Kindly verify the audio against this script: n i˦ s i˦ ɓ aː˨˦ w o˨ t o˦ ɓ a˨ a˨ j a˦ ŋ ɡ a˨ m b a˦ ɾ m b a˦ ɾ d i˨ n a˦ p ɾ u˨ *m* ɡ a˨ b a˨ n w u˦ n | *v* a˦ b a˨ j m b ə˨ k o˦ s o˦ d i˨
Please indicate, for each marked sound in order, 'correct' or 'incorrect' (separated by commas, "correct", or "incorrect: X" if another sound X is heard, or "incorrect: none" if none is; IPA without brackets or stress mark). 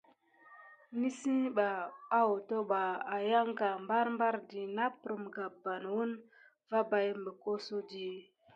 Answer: correct, correct